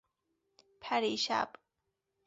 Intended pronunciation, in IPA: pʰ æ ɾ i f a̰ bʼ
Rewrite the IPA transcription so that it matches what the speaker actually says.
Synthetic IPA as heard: pʰ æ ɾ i ʃ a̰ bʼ